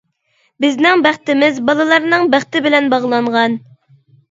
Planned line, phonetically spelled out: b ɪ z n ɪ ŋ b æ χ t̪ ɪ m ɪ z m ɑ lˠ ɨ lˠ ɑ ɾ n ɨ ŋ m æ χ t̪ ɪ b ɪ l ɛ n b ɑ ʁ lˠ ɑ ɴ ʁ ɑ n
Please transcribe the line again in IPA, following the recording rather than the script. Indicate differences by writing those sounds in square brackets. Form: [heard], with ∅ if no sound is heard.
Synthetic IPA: b ɪ z n ɪ ŋ b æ χ t̪ ɪ m ɪ z [b] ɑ lˠ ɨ lˠ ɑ ɾ n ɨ ŋ [b] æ χ t̪ ɪ b ɪ l ɛ n b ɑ ʁ lˠ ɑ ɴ ʁ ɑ n

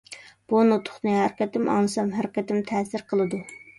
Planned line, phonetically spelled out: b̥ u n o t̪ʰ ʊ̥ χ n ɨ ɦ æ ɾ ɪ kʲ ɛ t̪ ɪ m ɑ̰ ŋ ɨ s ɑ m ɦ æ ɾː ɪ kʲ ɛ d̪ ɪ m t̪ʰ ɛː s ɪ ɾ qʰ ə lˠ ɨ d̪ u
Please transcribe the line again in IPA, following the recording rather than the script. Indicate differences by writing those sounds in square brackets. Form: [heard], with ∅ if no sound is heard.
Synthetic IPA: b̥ u n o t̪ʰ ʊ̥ χ n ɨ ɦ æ ɾ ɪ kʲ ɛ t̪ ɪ m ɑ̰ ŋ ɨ s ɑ m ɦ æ [ɾ] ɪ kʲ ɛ [t̪] ɪ m t̪ʰ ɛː s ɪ ɾ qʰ ə lˠ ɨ d̪ u

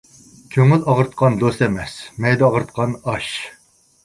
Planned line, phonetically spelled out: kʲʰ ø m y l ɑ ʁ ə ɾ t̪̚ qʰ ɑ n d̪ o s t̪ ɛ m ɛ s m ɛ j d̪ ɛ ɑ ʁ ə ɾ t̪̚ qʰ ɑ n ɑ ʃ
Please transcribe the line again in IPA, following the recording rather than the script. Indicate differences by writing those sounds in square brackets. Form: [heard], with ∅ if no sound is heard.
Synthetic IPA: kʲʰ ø [ŋ] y l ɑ ʁ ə ɾ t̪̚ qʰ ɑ n d̪ o s t̪ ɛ m ɛ s m ɛ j d̪ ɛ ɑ ʁ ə ɾ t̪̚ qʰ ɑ n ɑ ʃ

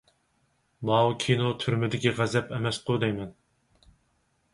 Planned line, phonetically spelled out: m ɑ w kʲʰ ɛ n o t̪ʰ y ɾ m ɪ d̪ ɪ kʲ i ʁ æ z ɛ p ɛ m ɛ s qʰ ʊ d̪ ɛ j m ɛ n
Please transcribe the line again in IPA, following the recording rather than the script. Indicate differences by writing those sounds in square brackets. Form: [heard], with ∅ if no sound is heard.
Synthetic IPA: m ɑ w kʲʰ [i] n o t̪ʰ y ɾ m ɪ d̪ ɪ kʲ i ʁ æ z ɛ p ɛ m ɛ s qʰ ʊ d̪ ɛ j m ɛ n

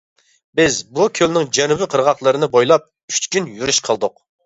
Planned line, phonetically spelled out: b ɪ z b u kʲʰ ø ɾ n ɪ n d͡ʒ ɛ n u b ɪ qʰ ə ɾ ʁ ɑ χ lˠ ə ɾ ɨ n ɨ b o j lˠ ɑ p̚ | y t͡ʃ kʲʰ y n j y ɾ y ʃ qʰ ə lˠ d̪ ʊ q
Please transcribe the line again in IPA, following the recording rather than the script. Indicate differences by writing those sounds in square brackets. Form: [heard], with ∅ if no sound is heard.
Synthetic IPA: b ɪ z b u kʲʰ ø [l] n ɪ [ŋ] d͡ʒ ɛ n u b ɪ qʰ ə ɾ ʁ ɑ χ lˠ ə ɾ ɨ n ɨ b o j lˠ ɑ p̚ | y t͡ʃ [kʲ] y n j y ɾ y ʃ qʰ ə lˠ d̪ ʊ q

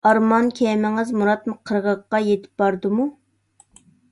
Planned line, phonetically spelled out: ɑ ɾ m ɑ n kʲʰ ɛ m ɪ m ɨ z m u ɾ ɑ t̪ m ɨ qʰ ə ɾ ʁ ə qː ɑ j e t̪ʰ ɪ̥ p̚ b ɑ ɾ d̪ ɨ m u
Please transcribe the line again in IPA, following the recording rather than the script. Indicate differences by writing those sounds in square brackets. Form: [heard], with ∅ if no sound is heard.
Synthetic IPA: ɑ ɾ m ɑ n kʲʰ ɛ m ɪ [ŋ] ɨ z m u ɾ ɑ t̪ m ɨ qʰ ə ɾ ʁ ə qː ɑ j e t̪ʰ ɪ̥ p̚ b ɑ ɾ d̪ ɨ m u

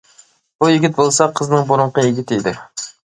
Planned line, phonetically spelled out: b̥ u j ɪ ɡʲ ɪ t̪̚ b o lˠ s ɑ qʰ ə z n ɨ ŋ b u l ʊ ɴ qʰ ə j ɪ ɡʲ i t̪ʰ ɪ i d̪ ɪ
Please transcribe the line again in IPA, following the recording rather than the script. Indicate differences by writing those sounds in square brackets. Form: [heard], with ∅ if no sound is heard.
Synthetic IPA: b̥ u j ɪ ɡʲ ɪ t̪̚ b o lˠ s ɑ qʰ ə z n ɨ ŋ b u [ɾ] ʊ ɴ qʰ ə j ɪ ɡʲ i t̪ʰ ɪ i d̪ ɪ

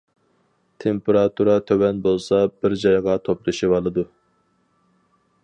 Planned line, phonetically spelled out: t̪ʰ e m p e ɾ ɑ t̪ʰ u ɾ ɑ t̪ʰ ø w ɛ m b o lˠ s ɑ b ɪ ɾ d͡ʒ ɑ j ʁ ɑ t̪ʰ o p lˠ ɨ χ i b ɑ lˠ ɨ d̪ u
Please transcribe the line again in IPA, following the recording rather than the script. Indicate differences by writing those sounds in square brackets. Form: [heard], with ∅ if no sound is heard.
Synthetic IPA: t̪ʰ e m p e ɾ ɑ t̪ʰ u ɾ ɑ t̪ʰ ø w ɛ [n] b o lˠ s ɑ b ɪ ɾ d͡ʒ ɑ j ʁ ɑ t̪ʰ o p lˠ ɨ [ʃ] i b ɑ lˠ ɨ d̪ u

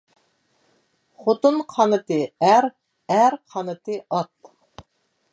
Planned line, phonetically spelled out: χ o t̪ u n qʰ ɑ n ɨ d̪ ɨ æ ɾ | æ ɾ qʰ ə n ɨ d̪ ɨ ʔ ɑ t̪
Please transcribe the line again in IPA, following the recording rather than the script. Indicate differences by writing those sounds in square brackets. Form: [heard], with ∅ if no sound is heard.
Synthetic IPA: χ o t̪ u n qʰ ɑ n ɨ [t̪] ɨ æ ɾ | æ ɾ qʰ [ɑ] n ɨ [t̪] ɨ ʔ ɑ t̪

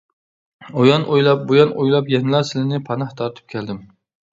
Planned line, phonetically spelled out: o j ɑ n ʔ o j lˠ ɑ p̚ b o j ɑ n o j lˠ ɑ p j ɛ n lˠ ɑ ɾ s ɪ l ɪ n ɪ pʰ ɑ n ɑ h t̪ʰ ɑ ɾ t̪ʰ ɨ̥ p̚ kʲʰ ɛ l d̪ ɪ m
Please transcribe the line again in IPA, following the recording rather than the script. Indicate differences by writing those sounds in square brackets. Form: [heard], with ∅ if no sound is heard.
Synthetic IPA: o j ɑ n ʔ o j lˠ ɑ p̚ b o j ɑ n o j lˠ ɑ p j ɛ n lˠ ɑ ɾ s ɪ l ɪ n ɪ pʰ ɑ n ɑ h t̪ʰ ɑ ɾ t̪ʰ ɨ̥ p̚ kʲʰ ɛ l d̪ ɪ m

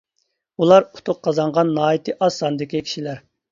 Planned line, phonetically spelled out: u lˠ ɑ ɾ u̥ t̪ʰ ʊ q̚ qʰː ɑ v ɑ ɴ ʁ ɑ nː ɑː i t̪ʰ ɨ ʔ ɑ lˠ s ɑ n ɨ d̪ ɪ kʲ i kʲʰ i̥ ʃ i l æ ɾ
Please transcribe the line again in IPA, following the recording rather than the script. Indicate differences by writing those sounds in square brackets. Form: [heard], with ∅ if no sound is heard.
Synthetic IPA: u lˠ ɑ ɾ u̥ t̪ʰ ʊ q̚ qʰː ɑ [z] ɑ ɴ ʁ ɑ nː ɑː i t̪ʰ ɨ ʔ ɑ [∅] s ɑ n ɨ d̪ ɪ kʲ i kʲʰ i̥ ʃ i l æ ɾ

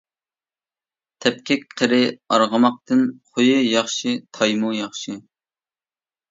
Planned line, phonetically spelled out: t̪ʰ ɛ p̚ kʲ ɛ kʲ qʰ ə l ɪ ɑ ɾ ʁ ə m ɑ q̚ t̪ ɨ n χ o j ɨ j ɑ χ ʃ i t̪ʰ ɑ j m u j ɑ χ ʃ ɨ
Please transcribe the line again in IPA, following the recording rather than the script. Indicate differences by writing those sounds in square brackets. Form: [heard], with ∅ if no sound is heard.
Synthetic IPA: t̪ʰ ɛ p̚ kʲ ɛ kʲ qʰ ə [ɾ] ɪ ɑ ɾ ʁ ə m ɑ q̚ t̪ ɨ n χ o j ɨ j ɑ χ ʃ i t̪ʰ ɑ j m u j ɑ χ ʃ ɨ

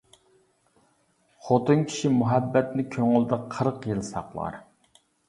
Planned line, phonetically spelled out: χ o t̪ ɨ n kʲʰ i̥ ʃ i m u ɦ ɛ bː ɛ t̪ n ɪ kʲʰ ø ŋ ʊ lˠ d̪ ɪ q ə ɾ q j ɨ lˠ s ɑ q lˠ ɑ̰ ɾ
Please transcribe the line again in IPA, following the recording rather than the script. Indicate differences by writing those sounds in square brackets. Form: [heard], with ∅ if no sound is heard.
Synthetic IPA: χ o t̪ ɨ n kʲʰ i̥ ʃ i m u ɦ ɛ bː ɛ t̪ n ɪ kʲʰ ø ŋ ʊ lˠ d̪ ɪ [qʰ] ə ɾ q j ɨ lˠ s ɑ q lˠ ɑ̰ ɾ

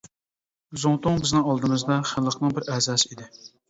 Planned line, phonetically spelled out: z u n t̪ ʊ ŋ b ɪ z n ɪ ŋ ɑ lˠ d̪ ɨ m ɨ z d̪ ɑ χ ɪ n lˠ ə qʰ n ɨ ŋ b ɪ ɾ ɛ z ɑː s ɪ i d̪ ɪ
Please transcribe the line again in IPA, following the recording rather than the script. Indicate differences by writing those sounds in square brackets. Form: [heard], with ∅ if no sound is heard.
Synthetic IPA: z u [ŋ] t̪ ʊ ŋ b ɪ z n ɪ ŋ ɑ lˠ d̪ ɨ m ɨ z d̪ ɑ χ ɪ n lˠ ə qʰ n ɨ ŋ b ɪ ɾ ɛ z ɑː s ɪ i d̪ ɪ

